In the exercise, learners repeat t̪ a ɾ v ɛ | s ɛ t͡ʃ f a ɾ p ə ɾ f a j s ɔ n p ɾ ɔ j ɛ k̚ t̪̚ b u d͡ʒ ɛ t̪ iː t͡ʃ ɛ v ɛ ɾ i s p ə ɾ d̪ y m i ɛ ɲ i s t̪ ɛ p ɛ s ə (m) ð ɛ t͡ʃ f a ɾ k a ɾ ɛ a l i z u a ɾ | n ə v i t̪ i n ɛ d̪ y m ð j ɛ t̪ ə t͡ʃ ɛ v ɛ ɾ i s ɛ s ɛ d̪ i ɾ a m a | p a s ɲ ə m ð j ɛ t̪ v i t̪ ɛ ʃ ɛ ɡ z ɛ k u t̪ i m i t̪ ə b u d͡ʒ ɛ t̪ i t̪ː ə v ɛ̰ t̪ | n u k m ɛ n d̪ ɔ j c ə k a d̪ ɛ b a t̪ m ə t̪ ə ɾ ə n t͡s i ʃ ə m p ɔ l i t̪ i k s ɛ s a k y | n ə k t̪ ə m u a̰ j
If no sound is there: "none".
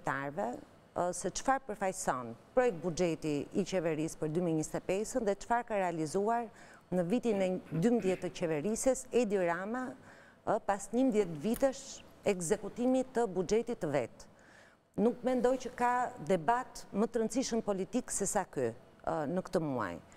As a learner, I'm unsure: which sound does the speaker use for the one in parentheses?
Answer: n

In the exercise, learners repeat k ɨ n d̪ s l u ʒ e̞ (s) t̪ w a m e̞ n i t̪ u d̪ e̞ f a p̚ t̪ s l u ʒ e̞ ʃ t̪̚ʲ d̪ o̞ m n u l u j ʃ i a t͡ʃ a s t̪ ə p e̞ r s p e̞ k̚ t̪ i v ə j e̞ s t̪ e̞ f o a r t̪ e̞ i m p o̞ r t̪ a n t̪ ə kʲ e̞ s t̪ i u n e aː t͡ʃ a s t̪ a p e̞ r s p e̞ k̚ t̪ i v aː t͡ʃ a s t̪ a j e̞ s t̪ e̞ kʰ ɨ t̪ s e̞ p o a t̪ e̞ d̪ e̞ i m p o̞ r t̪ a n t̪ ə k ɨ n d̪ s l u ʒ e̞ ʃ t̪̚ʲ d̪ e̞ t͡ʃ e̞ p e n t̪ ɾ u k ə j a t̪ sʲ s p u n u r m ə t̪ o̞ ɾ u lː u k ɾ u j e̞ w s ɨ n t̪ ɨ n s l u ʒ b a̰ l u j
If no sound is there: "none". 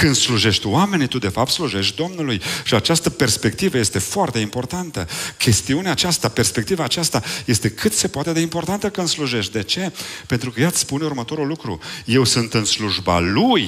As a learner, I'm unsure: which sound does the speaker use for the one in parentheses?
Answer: ʃ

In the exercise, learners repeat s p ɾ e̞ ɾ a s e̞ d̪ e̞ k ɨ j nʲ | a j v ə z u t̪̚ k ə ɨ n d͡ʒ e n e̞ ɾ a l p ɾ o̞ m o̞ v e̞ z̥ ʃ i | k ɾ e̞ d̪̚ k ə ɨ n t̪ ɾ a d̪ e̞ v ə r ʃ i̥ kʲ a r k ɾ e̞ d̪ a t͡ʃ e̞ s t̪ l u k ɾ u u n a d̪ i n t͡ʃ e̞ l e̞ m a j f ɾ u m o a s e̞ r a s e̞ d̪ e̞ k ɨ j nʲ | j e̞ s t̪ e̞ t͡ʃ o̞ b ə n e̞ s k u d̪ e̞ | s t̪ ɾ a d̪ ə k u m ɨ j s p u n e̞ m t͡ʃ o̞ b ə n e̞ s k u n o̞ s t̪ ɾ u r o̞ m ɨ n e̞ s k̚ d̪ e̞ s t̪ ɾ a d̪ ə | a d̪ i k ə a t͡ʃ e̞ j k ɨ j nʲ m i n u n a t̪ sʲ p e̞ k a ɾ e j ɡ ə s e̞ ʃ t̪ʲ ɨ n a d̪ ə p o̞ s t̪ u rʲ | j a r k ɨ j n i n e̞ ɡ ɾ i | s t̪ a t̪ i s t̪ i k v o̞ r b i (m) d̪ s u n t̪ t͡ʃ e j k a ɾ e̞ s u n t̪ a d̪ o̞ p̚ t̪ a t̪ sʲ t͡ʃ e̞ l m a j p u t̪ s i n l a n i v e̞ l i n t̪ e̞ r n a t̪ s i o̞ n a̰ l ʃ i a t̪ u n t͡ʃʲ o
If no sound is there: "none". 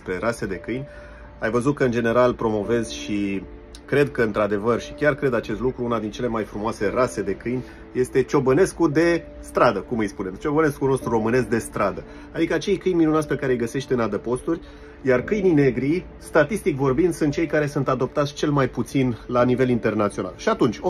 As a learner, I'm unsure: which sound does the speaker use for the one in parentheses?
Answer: n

